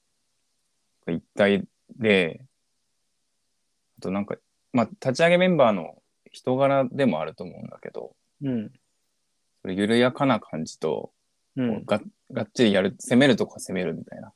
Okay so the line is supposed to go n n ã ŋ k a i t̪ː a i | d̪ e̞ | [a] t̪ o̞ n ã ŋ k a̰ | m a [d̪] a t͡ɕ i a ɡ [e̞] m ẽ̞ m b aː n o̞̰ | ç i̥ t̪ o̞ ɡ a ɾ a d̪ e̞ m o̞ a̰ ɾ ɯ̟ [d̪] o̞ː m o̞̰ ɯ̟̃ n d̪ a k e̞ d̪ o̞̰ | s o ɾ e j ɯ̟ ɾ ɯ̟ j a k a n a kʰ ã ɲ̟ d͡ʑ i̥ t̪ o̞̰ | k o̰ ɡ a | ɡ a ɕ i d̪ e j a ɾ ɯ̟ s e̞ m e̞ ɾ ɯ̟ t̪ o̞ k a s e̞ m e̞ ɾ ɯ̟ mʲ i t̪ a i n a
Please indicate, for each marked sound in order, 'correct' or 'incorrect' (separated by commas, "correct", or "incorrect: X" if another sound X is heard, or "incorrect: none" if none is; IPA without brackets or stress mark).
correct, incorrect: t̪, correct, incorrect: t̪